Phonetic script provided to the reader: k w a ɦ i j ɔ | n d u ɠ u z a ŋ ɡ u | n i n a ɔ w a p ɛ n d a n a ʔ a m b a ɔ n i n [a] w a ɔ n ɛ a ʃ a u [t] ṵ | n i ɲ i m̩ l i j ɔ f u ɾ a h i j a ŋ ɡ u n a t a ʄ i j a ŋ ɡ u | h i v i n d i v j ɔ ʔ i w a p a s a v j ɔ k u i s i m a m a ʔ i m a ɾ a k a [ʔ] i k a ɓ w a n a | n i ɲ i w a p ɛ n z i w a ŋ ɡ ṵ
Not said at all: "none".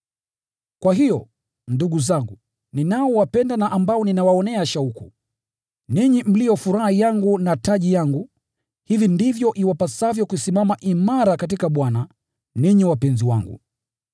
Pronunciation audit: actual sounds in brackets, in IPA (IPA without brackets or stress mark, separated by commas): a, k, t